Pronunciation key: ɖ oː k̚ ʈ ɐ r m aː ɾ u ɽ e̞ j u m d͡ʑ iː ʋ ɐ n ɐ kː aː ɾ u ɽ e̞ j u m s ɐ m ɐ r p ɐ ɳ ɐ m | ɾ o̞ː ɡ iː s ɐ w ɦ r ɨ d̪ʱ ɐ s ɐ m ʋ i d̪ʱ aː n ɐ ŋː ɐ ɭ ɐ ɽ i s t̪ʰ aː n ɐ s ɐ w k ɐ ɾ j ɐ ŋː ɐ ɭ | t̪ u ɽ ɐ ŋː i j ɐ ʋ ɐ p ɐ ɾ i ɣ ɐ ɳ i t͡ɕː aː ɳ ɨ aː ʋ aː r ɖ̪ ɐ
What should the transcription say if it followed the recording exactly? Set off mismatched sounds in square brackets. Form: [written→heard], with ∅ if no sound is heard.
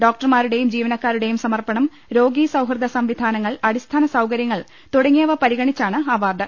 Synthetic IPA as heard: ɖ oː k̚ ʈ ɐ r m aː ɾ u ɽ e̞ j u m d͡ʑ iː ʋ ɐ n ɐ kː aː ɾ u ɽ e̞ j u m s ɐ m ɐ r p ɐ ɳ ɐ m | ɾ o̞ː ɡ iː s ɐ w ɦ r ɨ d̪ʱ ɐ s ɐ m ʋ i d̪ʱ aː n ɐ ŋː ɐ ɭ ɐ ɽ i s t̪ʰ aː n ɐ s ɐ w k ɐ ɾ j ɐ ŋː ɐ ɭ | t̪ u ɽ ɐ ŋː i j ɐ ʋ ɐ p ɐ ɾ i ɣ ɐ ɳ i t͡ɕː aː ɳ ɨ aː ʋ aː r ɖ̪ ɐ